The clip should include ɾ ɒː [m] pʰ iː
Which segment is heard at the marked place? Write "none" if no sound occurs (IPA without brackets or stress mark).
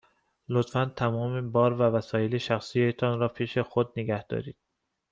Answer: none